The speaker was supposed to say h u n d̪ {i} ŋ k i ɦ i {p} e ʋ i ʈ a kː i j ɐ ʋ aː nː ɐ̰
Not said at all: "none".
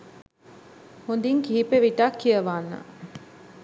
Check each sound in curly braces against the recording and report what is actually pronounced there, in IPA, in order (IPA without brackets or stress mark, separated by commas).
i, p